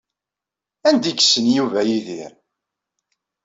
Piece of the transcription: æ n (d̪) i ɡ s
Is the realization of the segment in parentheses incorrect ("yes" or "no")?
no